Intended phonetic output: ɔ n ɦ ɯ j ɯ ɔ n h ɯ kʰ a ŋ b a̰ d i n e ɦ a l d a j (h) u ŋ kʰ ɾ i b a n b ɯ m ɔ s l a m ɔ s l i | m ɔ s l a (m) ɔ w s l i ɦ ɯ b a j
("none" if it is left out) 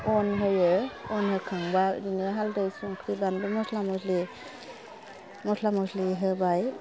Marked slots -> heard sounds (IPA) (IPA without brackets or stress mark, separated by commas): s, m